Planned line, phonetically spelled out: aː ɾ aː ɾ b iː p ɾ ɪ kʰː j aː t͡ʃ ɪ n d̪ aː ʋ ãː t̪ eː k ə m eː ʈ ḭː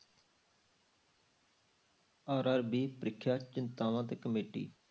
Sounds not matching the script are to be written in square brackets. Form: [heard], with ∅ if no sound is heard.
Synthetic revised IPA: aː ɾ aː ɾ b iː p ɾ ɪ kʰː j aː t͡ʃ ɪ n [t̪] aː ʋ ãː t̪ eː k ə m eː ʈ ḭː